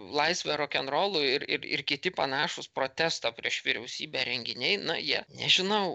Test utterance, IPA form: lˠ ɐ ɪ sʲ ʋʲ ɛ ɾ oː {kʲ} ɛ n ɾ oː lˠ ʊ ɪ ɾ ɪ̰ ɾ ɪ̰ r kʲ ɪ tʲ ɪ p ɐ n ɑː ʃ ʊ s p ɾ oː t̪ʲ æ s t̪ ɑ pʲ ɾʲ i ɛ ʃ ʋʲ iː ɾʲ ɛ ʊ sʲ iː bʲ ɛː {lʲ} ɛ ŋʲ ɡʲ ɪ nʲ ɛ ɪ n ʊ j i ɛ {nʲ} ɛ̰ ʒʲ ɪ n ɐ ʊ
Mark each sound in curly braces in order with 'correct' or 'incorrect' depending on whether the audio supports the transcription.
correct, incorrect: ɾʲ, correct

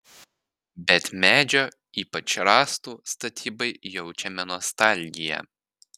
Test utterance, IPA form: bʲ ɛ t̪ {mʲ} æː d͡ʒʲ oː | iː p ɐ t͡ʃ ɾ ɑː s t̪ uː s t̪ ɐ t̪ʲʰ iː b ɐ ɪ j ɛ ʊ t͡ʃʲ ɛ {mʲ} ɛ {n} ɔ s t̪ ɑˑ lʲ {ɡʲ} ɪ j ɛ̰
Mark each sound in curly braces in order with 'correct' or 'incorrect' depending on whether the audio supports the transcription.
correct, correct, correct, correct

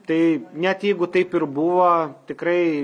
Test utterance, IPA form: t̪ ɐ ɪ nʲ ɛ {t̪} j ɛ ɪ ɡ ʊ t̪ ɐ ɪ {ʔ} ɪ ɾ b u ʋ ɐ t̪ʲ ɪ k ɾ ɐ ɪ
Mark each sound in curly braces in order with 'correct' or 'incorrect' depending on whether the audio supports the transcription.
correct, incorrect: p

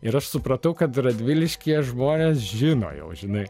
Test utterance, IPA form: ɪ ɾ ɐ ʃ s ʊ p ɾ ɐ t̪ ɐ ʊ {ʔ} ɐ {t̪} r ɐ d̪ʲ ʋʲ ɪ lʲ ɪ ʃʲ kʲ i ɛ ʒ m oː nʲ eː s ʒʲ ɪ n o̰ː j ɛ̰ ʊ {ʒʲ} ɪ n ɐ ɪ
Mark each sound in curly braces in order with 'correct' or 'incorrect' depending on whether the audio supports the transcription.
incorrect: k, correct, correct

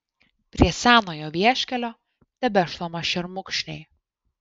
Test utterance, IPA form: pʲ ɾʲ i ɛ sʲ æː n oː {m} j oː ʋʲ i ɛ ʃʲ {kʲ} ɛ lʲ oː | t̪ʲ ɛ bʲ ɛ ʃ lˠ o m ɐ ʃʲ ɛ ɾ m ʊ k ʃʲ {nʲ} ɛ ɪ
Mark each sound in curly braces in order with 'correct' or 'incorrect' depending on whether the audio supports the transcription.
incorrect: none, correct, correct

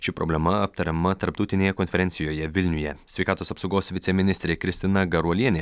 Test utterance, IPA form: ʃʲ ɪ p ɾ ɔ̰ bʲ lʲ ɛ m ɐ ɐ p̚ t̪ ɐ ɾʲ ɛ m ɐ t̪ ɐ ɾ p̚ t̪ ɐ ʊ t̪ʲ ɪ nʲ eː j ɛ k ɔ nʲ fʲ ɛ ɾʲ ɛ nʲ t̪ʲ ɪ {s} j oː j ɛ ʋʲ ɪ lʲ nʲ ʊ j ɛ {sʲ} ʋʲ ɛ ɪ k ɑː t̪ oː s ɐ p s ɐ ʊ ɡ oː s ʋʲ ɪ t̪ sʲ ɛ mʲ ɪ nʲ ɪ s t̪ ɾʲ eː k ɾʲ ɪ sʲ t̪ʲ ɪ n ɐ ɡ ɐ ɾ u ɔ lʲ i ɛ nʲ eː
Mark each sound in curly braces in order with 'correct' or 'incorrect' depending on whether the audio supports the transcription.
incorrect: none, correct

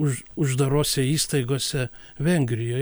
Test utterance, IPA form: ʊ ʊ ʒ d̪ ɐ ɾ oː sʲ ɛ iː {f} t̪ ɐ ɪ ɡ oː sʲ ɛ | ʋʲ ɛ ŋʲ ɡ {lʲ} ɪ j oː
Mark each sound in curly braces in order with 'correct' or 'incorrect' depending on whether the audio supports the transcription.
incorrect: s, incorrect: ɾʲ

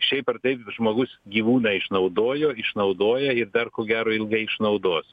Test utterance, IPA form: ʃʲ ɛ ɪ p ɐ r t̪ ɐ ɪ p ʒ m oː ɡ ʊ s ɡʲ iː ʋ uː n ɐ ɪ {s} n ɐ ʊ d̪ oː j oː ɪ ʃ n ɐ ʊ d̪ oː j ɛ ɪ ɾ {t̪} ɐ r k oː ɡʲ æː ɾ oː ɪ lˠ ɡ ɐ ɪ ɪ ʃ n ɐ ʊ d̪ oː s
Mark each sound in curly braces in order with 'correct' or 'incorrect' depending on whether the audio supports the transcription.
incorrect: ʃ, incorrect: d̪

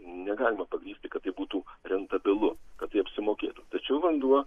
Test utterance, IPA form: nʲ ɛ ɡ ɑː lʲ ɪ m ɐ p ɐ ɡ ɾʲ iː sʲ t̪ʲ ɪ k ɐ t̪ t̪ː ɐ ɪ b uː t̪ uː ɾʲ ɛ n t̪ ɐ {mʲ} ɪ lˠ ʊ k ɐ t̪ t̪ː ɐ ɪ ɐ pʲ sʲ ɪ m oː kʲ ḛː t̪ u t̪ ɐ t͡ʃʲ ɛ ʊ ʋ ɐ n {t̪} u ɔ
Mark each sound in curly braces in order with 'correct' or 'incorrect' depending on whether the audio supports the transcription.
incorrect: bʲ, incorrect: d̪

